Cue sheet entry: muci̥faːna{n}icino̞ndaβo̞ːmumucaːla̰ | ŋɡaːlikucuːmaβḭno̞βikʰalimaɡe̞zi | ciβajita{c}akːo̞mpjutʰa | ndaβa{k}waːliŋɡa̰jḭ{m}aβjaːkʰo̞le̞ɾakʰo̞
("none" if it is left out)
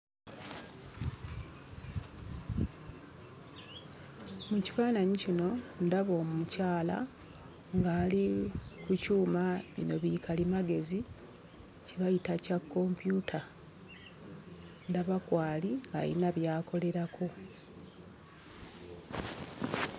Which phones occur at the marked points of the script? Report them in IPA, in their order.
ɲ, c, k, n

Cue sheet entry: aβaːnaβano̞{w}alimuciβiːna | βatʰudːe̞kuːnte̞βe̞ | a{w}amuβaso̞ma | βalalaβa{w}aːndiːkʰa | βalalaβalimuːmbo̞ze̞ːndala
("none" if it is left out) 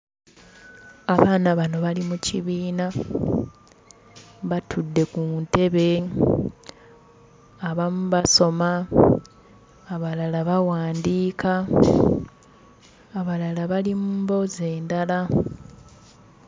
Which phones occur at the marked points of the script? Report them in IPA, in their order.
β, β, w

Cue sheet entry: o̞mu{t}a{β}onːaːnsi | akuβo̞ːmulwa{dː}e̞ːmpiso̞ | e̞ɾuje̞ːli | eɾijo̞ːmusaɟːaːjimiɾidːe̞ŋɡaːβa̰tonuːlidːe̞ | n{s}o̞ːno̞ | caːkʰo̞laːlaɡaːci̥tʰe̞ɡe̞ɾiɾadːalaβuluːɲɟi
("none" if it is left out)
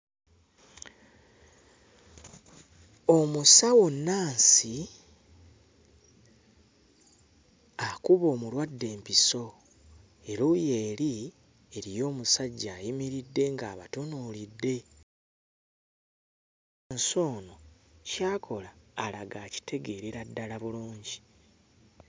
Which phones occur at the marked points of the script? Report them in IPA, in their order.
s, w, dː, s

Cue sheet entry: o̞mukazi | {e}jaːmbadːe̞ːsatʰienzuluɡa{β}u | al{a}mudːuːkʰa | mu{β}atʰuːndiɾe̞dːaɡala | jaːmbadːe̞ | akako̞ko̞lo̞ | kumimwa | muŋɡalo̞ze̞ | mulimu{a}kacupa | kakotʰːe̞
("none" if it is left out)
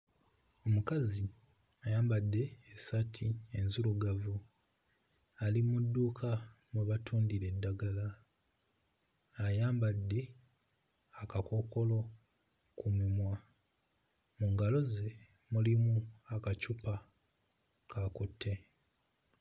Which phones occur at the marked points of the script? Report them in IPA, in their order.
a, v, i, β, a

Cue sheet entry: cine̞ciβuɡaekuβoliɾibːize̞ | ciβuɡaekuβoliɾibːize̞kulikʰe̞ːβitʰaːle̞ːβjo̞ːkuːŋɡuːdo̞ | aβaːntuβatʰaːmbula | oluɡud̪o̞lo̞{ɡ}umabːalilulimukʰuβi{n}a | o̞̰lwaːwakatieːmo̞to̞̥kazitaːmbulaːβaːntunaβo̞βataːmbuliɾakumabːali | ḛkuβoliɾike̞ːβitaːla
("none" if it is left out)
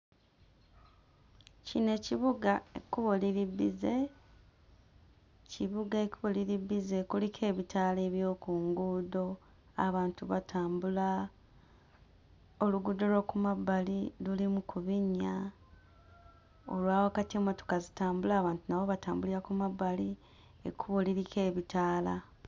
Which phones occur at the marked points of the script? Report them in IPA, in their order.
k, ɲ

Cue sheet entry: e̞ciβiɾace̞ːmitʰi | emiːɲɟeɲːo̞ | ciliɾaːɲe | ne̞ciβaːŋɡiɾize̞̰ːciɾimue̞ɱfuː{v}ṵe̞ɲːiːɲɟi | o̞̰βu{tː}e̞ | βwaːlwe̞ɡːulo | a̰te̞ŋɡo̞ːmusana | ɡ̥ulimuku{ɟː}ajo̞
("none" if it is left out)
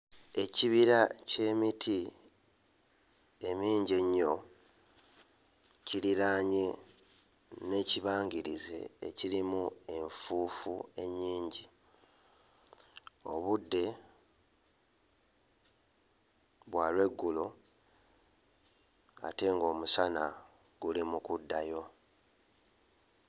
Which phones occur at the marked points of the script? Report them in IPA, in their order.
f, dː, dː

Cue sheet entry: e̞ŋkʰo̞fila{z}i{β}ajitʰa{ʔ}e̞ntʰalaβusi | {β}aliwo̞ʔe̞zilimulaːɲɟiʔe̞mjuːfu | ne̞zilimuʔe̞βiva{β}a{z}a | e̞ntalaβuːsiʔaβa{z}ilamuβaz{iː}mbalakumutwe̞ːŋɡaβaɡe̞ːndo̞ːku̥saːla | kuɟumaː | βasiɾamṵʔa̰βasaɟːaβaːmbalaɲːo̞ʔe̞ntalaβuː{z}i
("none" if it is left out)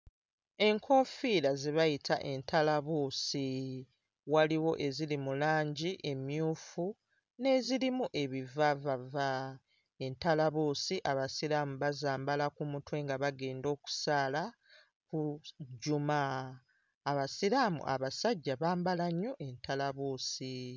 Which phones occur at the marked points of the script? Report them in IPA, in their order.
z, β, ʔ, w, v, v, s, aː, s

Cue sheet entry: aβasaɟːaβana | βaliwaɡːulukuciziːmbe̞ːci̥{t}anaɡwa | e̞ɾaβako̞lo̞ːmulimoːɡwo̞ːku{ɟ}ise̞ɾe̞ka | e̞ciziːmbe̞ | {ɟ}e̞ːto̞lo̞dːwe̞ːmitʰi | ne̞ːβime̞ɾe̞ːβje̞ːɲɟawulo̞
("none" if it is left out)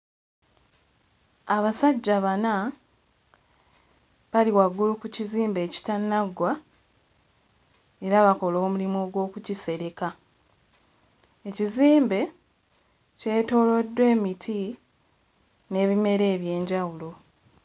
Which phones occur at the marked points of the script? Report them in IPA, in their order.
t, c, c

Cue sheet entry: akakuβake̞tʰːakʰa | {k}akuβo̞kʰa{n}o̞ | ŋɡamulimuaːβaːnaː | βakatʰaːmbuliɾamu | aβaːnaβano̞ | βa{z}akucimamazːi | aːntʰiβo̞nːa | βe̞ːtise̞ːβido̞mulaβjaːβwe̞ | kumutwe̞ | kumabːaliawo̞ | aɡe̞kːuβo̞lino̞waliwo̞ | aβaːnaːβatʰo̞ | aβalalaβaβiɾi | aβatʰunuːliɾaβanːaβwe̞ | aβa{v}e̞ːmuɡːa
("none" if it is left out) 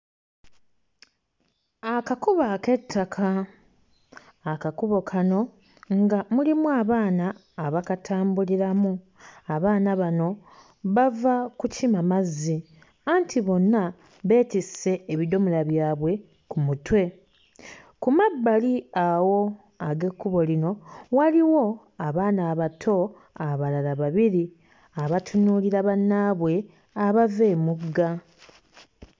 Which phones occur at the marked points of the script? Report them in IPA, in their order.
k, n, v, v

